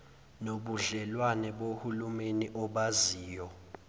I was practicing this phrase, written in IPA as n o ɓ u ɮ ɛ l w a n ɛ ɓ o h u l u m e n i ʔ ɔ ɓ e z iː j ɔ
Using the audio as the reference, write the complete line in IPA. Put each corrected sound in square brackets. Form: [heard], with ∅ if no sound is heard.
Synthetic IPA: n o ɓ u ɮ ɛ l w a n ɛ ɓ o h u l u m e n i ʔ ɔ ɓ [a] z iː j ɔ